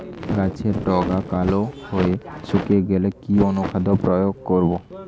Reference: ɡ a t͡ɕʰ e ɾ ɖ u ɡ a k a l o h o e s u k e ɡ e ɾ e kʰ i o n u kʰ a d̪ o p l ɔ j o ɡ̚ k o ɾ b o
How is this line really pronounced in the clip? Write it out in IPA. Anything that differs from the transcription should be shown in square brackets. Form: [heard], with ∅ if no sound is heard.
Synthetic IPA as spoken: ɡ a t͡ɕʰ e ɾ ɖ [ɔ] ɡ a k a l o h o e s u k e ɡ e [l] e [k] i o n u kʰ a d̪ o p [ɾ] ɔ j o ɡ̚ k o ɾ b o

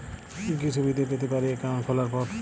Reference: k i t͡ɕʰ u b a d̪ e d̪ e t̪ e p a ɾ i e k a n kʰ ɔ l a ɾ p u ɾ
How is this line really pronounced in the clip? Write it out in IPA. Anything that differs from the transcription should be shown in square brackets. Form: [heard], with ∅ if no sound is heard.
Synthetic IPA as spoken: k i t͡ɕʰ u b [i] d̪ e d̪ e t̪ e p a ɾ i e k a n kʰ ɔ l a ɾ p [ɔ] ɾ

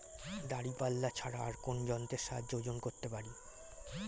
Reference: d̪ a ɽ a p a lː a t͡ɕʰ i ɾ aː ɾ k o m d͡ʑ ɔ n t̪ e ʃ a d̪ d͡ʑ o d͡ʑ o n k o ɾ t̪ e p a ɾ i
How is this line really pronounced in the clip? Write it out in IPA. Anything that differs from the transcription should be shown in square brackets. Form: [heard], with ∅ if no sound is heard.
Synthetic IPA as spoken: d̪ a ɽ [i] p a lː a t͡ɕʰ [a] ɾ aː ɾ k o [n] d͡ʑ ɔ n t̪ e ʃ a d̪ d͡ʑ o d͡ʑ o n k o ɾ t̪ e p a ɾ i

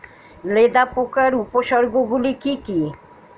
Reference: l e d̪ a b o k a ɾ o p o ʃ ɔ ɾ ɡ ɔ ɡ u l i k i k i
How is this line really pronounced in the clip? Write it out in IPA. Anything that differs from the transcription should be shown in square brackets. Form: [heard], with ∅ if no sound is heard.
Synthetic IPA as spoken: l e d̪ a [p] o k a ɾ [u] p o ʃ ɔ ɾ ɡ [o] ɡ u l i k i k i

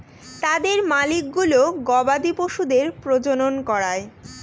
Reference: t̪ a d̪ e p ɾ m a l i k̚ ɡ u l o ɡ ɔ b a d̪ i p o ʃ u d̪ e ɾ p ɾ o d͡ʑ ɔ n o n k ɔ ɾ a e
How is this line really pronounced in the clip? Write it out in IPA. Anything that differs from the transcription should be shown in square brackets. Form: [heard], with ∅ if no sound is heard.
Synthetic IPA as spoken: t̪ a d̪ e [∅] ɾ m a l i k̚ ɡ u l o ɡ ɔ b a d̪ i p o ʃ u d̪ e ɾ p ɾ o d͡ʑ [o] n o n k ɔ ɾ a e

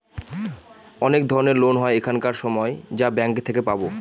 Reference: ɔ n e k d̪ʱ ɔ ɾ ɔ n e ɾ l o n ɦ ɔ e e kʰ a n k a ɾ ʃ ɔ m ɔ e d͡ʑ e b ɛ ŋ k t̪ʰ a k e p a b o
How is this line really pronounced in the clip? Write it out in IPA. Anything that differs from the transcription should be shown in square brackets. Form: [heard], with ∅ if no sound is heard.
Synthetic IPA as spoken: ɔ n e k d̪ʱ ɔ ɾ [o] n e ɾ l o n ɦ ɔ e e kʰ a n k a ɾ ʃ ɔ m ɔ e d͡ʑ [a] b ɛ ŋ k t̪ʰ [e] k e p a b o

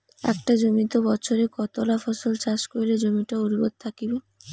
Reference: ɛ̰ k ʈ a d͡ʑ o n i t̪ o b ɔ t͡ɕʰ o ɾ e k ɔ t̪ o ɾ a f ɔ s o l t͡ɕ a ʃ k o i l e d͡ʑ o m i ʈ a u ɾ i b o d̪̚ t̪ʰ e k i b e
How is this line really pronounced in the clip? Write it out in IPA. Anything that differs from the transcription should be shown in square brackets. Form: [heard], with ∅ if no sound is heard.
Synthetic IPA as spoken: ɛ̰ k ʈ a d͡ʑ o [m] i t̪ o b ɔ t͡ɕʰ o ɾ e k ɔ t̪ o [l] a f ɔ s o l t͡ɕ a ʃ k o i l e d͡ʑ o m i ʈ a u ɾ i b o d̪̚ t̪ʰ [a] k i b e

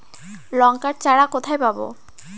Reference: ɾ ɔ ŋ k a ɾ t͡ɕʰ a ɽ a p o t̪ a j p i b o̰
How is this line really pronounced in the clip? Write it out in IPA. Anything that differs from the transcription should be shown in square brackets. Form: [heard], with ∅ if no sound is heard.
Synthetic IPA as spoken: [l] ɔ ŋ k a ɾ [t͡ɕ] a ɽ a [k] o [t̪ʰ] a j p [a] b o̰

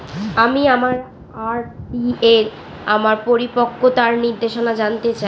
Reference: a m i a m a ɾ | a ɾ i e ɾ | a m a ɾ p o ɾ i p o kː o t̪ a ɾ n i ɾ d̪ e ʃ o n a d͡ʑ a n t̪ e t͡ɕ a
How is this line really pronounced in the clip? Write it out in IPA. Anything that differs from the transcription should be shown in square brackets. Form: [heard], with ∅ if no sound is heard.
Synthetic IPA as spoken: a m i a m a ɾ | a ɾ i e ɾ | a m a ɾ p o ɾ i p o kː o t̪ a ɾ n i ɾ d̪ e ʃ o n a d͡ʑ a n t̪ e t͡ɕ a

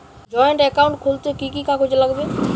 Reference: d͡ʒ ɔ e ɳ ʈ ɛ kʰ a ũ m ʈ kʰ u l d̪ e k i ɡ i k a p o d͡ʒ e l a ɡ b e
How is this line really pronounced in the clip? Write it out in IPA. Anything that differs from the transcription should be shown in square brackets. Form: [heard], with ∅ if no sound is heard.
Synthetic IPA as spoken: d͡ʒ ɔ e ɳ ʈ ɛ [k] a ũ [ɳ] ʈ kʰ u l [t̪] e k i [k] i k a [k] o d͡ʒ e l a ɡ b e

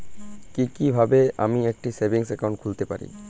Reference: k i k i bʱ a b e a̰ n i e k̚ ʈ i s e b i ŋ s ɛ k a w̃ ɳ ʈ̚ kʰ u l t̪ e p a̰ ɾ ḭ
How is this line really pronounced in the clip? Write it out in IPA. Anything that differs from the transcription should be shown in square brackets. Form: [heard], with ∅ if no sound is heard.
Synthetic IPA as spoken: k i k i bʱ a b e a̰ [m] i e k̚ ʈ i s e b i ŋ s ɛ k a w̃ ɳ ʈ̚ kʰ u l t̪ e p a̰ ɾ ḭ

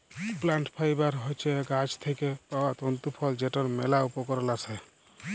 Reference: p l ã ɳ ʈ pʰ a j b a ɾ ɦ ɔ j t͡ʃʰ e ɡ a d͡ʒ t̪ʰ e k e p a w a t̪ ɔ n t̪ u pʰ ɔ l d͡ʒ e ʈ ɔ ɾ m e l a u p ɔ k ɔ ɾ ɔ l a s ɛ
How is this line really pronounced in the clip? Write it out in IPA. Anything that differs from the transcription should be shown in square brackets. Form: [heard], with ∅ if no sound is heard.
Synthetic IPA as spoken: p l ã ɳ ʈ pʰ a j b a ɾ ɦ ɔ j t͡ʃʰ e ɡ a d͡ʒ t̪ʰ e k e p a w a t̪ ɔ n t̪ u pʰ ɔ l d͡ʒ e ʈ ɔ ɾ m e l a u p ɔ k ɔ ɾ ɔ l a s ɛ

